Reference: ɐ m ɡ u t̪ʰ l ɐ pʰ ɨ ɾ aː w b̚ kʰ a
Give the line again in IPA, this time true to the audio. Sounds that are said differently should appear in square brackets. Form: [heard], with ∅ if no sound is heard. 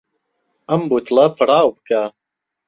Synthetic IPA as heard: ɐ m [b] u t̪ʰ l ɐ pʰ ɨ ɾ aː w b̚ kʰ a